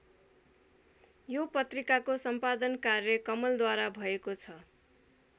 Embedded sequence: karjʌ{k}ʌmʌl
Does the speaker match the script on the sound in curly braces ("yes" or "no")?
yes